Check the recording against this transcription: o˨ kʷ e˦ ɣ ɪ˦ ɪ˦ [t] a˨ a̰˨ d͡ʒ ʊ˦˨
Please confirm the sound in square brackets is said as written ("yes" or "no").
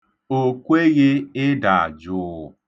no